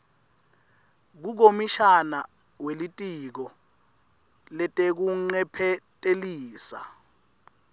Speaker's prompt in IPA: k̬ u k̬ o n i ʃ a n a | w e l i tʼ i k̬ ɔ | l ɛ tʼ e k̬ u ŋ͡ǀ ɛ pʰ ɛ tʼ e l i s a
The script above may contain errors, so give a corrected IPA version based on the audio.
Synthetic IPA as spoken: k̬ u k̬ o m i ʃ a n a | w e l i tʼ i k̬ ɔ | l ɛ tʼ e k̬ u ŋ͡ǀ ɛ pʰ ɛ tʼ e l iː s a